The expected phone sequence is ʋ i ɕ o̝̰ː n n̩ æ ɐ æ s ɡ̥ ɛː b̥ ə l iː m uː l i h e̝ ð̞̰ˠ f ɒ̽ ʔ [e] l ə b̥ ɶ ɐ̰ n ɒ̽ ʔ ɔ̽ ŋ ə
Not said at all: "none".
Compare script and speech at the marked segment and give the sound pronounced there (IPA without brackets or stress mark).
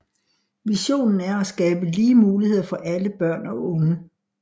æ